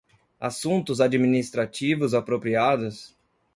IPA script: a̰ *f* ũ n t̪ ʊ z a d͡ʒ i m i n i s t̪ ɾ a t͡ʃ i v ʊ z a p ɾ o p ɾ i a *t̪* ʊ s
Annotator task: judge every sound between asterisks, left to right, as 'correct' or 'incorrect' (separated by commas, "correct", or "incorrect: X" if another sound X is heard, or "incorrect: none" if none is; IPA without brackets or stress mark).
incorrect: s, incorrect: d̪